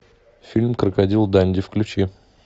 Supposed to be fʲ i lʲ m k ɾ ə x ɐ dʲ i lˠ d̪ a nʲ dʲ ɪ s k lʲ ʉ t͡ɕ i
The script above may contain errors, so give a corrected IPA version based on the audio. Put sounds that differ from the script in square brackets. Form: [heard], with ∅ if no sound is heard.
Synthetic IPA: fʲ i lʲ m k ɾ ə [k] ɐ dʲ i lˠ d̪ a nʲ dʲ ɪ [f] k lʲ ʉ t͡ɕ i